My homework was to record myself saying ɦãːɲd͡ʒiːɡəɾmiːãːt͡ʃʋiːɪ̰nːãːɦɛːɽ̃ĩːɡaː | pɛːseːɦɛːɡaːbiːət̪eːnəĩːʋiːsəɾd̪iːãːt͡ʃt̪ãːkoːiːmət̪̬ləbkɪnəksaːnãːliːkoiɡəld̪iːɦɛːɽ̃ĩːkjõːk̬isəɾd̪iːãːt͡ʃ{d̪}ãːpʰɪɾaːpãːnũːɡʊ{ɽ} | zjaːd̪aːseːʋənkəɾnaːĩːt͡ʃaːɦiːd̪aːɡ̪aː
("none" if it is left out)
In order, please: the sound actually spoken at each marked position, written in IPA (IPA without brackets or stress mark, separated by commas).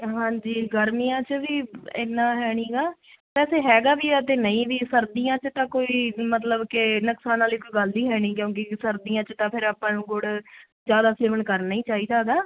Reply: t̪, ɽ